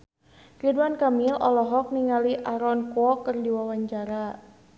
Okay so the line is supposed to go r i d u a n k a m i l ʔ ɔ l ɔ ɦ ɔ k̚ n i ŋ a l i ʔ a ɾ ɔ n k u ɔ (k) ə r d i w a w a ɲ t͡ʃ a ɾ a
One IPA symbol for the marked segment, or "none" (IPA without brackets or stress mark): k